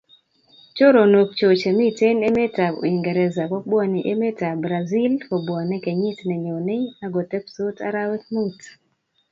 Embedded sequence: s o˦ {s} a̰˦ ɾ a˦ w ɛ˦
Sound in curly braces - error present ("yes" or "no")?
yes